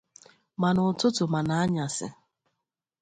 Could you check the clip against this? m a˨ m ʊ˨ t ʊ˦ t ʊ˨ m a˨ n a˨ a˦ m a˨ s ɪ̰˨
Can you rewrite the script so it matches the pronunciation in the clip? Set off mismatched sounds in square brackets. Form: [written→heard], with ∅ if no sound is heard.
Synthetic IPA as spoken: m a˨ [m→n] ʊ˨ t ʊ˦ t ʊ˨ m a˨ n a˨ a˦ [m→ɲ] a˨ s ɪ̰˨

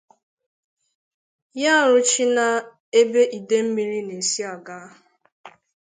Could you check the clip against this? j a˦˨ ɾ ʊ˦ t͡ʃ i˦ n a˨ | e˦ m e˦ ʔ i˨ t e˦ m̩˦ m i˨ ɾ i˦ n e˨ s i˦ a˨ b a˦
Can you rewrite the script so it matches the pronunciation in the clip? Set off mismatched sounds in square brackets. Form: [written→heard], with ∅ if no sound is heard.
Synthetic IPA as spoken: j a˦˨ ɾ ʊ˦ t͡ʃ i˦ n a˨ | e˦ [m→b] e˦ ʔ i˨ [t→d] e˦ m̩˦ m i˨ ɾ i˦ n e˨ s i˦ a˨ [b→ɡ] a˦

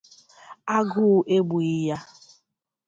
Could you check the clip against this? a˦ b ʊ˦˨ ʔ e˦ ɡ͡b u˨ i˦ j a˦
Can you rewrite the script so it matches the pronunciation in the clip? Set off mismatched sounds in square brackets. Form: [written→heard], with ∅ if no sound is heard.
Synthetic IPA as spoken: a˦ [b→ɡ] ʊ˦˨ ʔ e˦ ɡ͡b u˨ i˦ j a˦

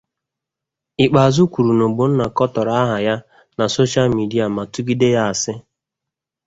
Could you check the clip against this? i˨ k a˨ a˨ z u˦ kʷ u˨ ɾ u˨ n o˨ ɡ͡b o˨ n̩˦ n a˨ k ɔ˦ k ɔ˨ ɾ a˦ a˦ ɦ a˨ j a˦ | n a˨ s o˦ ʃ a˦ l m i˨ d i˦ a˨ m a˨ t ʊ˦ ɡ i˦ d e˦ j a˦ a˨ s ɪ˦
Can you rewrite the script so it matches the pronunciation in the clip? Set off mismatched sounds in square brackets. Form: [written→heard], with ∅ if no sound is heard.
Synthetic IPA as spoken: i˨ [k→k͡p] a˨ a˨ z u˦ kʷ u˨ ɾ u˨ n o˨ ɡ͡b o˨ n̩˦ n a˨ k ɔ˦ [k→t] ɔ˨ ɾ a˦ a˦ ɦ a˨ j a˦ | n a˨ s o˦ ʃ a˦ l m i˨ d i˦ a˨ m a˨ t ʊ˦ ɡ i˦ d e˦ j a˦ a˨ s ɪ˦

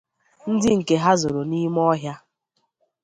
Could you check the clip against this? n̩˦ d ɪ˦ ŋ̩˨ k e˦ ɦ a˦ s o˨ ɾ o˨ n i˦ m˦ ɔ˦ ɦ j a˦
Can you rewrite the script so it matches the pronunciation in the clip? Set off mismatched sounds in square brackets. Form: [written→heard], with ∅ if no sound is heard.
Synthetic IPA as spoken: n̩˦ d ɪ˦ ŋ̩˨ k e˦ ɦ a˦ [s→z] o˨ ɾ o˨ n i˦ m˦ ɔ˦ ɦ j a˦

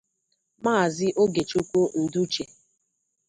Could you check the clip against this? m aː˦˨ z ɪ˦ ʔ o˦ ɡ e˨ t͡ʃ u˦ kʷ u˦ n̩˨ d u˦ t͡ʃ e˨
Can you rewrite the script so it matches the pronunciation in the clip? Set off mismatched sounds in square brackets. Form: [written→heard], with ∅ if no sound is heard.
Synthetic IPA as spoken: m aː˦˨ z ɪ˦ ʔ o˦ ɡ e˨ t͡ʃ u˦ kʷ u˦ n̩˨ d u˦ t͡ʃ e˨

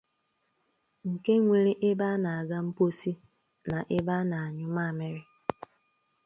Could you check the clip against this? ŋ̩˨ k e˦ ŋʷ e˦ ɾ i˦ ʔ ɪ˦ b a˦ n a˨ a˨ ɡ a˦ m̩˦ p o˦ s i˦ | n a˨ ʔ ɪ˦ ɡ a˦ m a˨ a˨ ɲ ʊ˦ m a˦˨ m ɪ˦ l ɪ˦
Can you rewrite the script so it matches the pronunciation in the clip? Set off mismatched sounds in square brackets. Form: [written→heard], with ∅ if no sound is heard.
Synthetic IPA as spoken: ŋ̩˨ k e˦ ŋʷ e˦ ɾ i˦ ʔ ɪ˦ b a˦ n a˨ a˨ ɡ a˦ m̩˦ p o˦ s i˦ | n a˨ ʔ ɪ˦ [ɡ→b] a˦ [m→n] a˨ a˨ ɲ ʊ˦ m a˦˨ m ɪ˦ [l→ɾ] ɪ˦

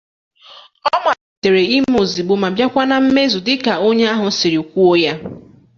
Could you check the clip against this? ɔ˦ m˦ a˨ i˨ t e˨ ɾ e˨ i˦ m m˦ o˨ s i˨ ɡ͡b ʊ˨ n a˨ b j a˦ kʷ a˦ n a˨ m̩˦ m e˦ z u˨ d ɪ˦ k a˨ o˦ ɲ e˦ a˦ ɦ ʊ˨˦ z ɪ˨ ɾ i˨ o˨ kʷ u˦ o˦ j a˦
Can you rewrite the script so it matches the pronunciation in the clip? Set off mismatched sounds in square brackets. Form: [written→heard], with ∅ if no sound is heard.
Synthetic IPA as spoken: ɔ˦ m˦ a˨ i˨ t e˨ ɾ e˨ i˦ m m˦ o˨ [s→z] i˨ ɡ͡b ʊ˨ [n→m] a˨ b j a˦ kʷ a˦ n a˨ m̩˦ m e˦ z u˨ d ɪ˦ k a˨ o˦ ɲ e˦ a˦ ɦ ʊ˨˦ [z→s] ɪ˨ ɾ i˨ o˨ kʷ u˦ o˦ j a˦

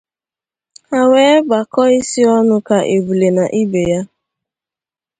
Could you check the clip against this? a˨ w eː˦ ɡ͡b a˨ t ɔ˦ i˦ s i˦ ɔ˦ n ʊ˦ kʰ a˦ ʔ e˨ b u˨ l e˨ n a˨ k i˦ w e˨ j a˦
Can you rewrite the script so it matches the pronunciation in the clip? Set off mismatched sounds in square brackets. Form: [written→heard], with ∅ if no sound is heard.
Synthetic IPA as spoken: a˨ w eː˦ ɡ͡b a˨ [t→k] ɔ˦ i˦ s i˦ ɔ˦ n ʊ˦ [kʰ→k] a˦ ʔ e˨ b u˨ l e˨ n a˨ [k→ʔ] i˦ [w→b] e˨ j a˦

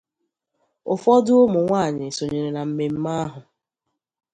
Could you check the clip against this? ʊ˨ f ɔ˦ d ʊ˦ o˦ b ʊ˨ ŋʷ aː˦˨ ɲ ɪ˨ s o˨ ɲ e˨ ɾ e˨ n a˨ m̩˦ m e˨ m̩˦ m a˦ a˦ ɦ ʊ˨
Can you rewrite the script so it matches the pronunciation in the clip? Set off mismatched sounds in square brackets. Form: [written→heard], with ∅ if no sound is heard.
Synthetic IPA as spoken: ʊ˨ f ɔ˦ d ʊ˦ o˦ [b→m] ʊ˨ ŋʷ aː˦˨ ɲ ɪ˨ s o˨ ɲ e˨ ɾ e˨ n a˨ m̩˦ m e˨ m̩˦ m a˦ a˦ ɦ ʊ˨

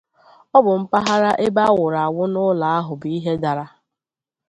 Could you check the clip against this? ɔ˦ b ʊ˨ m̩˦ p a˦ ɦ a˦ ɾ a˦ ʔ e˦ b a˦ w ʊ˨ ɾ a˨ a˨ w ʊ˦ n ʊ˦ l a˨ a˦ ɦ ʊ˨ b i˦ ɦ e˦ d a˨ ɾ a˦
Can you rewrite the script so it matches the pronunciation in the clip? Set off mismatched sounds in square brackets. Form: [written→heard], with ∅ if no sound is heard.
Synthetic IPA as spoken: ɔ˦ b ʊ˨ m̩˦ p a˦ ɦ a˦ ɾ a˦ ʔ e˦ b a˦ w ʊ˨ ɾ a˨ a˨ w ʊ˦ n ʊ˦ l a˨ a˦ ɦ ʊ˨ b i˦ ɦ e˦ d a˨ ɾ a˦

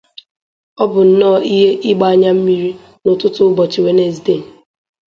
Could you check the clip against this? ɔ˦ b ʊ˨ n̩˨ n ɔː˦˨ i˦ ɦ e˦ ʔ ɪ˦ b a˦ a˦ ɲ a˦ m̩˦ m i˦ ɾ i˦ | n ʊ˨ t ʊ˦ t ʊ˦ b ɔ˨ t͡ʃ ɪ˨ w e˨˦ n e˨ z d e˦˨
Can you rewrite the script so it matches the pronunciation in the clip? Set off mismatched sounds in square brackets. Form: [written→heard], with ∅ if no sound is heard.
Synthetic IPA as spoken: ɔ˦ b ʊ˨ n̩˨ n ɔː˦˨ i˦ ɦ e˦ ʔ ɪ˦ [b→ɡ͡b] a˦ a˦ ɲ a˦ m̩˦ m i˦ ɾ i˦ | n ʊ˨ t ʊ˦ t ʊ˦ b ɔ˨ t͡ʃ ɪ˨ w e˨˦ n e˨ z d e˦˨

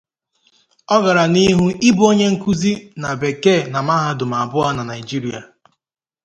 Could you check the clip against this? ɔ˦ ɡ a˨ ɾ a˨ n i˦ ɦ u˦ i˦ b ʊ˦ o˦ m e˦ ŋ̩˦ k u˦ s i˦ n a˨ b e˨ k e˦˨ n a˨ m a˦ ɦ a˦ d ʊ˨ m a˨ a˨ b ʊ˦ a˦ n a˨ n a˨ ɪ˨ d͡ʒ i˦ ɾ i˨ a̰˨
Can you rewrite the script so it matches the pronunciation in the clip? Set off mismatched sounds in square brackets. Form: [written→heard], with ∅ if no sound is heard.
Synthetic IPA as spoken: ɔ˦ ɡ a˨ ɾ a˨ n i˦ ɦ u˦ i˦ b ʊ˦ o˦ [m→ɲ] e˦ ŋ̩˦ k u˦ [s→z] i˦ n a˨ b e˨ k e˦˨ n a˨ m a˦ ɦ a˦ d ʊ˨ m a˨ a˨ b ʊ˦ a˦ n a˨ n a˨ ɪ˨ d͡ʒ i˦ ɾ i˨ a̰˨

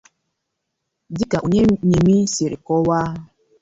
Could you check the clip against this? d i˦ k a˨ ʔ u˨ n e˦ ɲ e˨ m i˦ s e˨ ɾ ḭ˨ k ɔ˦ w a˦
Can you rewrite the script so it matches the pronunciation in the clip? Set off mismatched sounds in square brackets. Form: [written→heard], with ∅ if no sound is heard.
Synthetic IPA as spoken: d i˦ k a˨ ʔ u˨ [n→ɲ] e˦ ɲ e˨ m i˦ s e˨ ɾ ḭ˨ k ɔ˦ w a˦

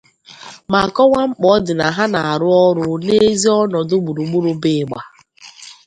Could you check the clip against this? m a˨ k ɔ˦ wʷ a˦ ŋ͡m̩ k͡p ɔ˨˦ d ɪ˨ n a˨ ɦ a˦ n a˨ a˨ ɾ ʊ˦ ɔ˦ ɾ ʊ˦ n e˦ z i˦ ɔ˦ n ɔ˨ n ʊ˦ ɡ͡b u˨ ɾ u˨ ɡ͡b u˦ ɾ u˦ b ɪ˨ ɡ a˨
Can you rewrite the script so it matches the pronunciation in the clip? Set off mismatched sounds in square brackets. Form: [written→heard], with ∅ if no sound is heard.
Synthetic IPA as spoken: m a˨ k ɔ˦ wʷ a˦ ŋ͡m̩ k͡p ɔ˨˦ d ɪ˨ n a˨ ɦ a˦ n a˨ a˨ ɾ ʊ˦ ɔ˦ ɾ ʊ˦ n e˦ z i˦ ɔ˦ n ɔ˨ [n→d] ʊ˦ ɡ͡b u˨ ɾ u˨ ɡ͡b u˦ ɾ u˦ b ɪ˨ [ɡ→ɡ͡b] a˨

